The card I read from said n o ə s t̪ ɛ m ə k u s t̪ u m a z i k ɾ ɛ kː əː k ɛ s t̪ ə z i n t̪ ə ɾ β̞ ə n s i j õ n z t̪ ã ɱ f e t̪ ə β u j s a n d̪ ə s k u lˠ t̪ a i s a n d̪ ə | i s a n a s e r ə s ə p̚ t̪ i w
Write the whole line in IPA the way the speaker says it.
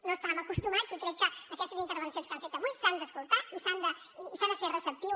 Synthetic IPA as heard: n o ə s t̪ a m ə k u s t̪ u m a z i k ɾ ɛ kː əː k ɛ s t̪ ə z i n t̪ ə ɾ β̞ ə n s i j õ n s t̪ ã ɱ f e t̪ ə β u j s a n d̪ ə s k u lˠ t̪ a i s a n d̪ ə | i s a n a s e r ə s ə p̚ t̪ i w